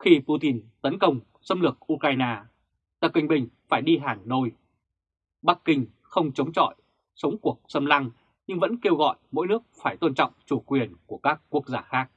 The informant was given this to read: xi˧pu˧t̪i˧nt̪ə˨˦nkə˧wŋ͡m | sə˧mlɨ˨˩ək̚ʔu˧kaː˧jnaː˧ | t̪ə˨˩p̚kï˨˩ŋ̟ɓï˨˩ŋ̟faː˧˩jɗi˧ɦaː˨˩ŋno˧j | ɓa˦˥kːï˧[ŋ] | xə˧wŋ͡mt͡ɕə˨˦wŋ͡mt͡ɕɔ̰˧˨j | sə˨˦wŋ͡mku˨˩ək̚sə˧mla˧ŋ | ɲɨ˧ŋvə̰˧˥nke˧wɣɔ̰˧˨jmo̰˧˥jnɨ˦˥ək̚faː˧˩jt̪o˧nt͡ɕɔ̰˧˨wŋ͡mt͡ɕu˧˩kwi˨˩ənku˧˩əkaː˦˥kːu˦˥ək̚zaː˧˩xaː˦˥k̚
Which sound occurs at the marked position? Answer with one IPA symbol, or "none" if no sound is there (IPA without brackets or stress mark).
ŋ